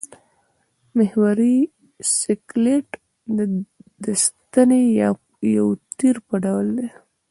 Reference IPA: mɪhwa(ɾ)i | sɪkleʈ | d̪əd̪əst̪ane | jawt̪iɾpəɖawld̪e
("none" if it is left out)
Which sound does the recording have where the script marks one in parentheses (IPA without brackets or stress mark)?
ɾ